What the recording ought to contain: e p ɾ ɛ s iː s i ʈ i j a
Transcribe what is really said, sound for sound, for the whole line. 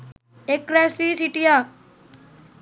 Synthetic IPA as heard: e k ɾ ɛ s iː s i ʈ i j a